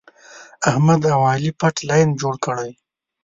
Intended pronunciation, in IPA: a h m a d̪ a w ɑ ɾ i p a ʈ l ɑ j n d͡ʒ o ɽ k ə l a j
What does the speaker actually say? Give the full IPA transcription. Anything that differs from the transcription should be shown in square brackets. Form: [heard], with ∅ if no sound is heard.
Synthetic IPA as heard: a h m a d̪ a w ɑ [l] i p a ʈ l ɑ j n d͡ʒ o ɽ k ə [ɽ] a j